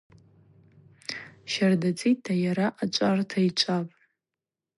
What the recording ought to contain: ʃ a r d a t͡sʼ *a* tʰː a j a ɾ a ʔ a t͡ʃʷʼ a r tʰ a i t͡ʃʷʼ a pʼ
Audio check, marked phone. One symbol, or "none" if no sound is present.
i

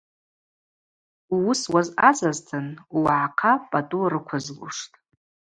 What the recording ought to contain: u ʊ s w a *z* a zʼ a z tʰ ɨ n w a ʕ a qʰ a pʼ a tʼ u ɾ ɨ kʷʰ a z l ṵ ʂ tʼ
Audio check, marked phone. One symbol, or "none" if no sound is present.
z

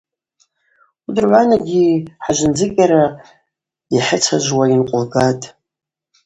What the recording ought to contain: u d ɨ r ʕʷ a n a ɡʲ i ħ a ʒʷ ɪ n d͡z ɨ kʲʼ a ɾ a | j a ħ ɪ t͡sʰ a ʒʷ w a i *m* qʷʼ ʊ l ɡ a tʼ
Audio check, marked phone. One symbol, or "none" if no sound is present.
n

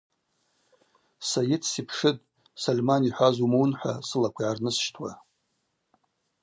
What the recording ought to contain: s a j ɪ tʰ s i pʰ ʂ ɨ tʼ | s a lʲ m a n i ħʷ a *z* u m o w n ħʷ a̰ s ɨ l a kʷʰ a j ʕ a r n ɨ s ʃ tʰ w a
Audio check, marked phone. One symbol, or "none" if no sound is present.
z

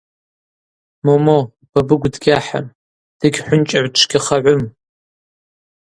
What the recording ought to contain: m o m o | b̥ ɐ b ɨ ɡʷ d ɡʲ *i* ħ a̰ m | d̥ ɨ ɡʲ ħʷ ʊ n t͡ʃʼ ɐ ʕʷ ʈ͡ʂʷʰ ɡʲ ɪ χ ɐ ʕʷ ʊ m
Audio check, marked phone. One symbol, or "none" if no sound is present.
a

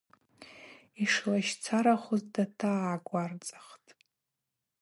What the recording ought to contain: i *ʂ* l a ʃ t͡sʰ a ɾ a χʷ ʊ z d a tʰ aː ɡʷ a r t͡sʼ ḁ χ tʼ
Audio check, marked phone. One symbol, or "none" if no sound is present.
ʂ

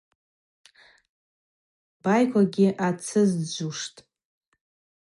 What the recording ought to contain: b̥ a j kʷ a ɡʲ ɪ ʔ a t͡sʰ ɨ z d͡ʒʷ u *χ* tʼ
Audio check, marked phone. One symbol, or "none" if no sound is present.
ʂ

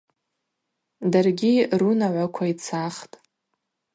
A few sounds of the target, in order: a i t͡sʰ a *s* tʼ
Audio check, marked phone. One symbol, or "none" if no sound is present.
χ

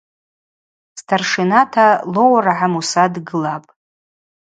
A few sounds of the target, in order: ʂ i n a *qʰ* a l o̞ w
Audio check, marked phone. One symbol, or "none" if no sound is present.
tʰ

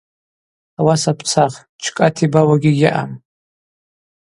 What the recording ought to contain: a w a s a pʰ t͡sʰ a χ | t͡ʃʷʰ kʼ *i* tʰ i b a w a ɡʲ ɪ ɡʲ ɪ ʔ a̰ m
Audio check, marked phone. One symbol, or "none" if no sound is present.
a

